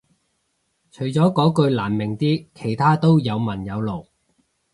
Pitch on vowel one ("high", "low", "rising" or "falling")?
low